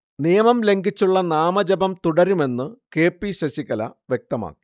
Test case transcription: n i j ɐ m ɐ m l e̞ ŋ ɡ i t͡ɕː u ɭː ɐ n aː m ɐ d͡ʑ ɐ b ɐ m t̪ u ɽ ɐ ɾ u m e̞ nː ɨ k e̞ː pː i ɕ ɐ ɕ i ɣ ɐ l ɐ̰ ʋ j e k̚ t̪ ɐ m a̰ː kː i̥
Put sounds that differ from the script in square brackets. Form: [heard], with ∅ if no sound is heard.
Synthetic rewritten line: n i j ɐ m ɐ m l e̞ ŋ ɡ i t͡ɕː u ɭː ɐ n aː m ɐ d͡ʑ ɐ b ɐ m t̪ u ɽ ɐ ɾ u m e̞ nː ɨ k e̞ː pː i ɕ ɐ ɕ i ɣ ɐ l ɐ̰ ʋ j e k̚ t̪ ɐ m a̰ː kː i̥

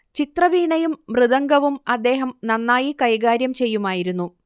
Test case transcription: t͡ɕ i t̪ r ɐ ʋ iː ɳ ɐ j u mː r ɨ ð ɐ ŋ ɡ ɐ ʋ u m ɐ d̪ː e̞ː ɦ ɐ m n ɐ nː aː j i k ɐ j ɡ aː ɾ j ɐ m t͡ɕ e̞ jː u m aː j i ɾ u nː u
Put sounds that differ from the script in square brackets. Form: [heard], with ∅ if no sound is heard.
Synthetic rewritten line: t͡ɕ i t̪ r ɐ ʋ iː ɳ ɐ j u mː r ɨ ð ɐ ŋ ɡ ɐ ʋ u m ɐ d̪ː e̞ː ɦ ɐ m n ɐ nː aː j i k ɐ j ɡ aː ɾ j ɐ m t͡ɕ e̞ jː u m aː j i ɾ u nː u

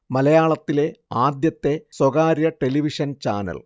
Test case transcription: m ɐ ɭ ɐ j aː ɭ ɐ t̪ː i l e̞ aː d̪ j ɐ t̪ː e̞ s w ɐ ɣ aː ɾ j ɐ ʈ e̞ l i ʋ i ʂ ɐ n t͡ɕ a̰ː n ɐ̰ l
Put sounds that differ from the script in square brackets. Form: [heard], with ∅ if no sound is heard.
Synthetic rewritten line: m ɐ [l] ɐ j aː ɭ ɐ t̪ː i l e̞ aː d̪ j ɐ t̪ː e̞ s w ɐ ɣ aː ɾ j ɐ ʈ e̞ l i ʋ i ʂ ɐ n t͡ɕ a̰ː n ɐ̰ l

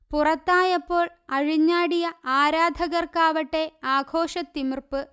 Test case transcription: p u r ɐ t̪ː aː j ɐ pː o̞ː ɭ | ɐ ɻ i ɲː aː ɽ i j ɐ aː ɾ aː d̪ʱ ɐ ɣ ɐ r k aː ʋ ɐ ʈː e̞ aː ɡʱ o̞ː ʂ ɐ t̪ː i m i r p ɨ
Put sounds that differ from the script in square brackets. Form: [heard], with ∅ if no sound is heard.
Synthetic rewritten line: p u r ɐ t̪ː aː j ɐ pː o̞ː ɭ | ɐ ɻ i ɲː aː ɽ i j ɐ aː ɾ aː d̪ʱ ɐ ɣ ɐ r k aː ʋ ɐ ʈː e̞ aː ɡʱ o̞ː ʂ ɐ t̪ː i m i r p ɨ

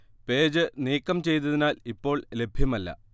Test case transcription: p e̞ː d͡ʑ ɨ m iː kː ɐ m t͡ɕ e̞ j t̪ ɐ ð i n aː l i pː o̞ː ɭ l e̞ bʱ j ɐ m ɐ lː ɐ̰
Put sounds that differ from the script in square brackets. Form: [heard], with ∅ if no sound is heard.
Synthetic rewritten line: p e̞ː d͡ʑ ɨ [n] iː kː ɐ m t͡ɕ e̞ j t̪ ɐ ð i n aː l i pː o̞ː ɭ l e̞ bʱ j ɐ m ɐ lː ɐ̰

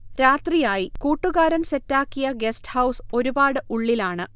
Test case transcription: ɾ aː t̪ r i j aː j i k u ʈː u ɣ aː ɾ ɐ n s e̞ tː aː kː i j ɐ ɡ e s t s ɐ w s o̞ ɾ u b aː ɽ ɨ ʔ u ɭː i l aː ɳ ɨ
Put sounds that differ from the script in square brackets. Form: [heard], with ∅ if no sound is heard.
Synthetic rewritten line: ɾ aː t̪ r i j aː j i k [uː] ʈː u ɣ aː ɾ ɐ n s e̞ tː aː kː i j ɐ ɡ e s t [h] ɐ w s o̞ ɾ u b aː ɽ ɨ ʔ u ɭː i l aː ɳ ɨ

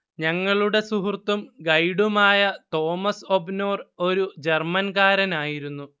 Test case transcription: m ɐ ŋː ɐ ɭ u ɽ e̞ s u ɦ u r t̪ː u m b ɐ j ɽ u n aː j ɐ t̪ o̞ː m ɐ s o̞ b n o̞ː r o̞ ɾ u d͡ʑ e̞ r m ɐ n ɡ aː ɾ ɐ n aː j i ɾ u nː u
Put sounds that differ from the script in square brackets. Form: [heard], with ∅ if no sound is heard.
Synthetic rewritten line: [ɲ] ɐ ŋː ɐ ɭ u ɽ e̞ s u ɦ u r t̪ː u m [ɡ] ɐ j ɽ u [m] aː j ɐ t̪ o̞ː m ɐ s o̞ b n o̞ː r o̞ ɾ u d͡ʑ e̞ r m ɐ n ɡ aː ɾ ɐ n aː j i ɾ u nː u

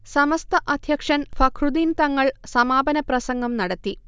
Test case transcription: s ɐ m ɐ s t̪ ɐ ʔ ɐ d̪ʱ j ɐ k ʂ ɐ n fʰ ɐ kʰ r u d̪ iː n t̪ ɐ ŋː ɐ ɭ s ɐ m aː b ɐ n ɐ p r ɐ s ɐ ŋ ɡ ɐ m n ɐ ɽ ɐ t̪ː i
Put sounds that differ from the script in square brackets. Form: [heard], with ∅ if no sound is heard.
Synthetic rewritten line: s ɐ m ɐ s t̪ ɐ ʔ ɐ d̪ʱ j ɐ k ʂ ɐ n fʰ ɐ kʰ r u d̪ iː n t̪ ɐ ŋː ɐ ɭ s ɐ m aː b ɐ n ɐ p r ɐ s ɐ ŋ ɡ ɐ m n ɐ ɽ ɐ t̪ː i

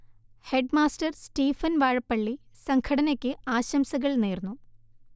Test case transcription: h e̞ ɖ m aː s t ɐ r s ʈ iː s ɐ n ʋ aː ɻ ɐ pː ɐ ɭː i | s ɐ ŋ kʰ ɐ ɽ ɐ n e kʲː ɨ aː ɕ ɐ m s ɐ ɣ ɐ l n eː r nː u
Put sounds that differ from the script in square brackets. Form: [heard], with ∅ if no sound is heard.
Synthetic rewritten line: h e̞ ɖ m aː s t ɐ r s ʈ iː [f] ɐ n ʋ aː ɻ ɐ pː ɐ ɭː i | s ɐ ŋ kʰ ɐ ɽ ɐ n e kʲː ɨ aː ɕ ɐ m s ɐ ɣ ɐ [ɭ] n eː r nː u

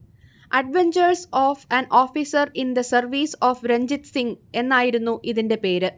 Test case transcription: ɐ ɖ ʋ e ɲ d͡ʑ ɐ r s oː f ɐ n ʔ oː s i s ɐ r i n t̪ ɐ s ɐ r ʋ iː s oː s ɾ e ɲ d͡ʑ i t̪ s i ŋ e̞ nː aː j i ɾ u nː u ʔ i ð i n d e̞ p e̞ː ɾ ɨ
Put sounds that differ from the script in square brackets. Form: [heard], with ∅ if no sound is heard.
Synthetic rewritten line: ɐ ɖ ʋ e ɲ d͡ʑ ɐ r s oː f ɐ n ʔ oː [f] i s ɐ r i n [d̪] ɐ s ɐ r ʋ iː s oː [f] ɾ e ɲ d͡ʑ i t̪ s i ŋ e̞ nː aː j i ɾ u nː u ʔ i ð i n d e̞ p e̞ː ɾ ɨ

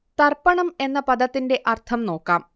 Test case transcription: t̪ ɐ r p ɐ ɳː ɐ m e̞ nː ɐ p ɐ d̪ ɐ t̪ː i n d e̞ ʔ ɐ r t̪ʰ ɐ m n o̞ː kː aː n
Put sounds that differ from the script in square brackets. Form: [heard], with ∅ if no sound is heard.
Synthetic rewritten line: t̪ ɐ r p ɐ [ɳ] ɐ m e̞ nː ɐ p ɐ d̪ ɐ t̪ː i n d e̞ ʔ ɐ r t̪ʰ ɐ m n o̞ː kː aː [m]

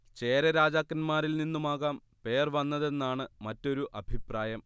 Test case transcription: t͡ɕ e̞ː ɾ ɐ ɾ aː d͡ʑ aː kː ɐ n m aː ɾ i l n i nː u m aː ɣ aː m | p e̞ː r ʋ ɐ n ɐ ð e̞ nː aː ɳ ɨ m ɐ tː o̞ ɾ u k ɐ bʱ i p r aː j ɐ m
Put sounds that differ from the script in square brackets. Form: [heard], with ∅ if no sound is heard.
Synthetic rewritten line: t͡ɕ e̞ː ɾ ɐ ɾ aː d͡ʑ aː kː ɐ n m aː ɾ i l n i nː u m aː ɣ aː m | p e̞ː r ʋ ɐ [nː] ɐ ð e̞ nː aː ɳ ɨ m ɐ tː o̞ ɾ u [ʔ] ɐ bʱ i p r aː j ɐ m

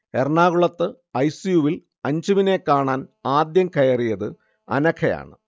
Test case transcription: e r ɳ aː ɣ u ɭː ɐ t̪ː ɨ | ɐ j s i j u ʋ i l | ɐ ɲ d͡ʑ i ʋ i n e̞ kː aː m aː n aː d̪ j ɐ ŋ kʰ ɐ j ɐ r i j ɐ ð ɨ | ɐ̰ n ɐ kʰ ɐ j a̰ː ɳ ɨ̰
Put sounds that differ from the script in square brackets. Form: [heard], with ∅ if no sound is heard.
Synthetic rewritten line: e r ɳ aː ɣ u [ɭ] ɐ t̪ː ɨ | ɐ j s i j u ʋ i l | ɐ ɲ d͡ʑ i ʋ i n e̞ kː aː [ɳ] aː n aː d̪ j ɐ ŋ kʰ ɐ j ɐ r i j ɐ ð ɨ | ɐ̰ n ɐ kʰ ɐ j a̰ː ɳ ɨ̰

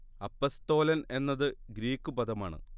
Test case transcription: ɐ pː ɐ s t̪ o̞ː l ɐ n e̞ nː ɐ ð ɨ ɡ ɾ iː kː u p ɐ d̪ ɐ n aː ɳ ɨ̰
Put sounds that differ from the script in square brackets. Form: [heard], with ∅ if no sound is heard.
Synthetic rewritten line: ɐ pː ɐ s t̪ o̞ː l ɐ n e̞ nː ɐ ð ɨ ɡ ɾ iː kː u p ɐ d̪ ɐ [m] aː ɳ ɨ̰

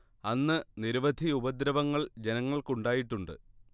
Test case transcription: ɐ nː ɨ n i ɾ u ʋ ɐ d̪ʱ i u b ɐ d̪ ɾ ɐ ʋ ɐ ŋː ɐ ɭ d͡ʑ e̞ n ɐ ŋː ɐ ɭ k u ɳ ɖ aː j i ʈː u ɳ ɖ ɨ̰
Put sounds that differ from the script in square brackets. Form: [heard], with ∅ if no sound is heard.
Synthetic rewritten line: ɐ nː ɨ n i ɾ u ʋ ɐ d̪ʱ i u b ɐ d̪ ɾ ɐ ʋ ɐ ŋː ɐ ɭ d͡ʑ e̞ n ɐ ŋː ɐ ɭ k u ɳ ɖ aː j i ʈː u ɳ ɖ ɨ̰

